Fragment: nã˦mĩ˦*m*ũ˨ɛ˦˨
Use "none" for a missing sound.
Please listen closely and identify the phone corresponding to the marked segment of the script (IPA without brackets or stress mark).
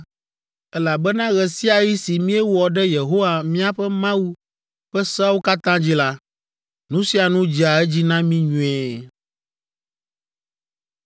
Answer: ɲ